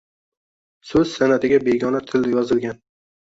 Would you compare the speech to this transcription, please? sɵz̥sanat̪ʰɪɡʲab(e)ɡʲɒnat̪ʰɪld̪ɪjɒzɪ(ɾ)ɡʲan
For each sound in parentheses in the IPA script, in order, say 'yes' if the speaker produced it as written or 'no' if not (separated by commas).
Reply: yes, no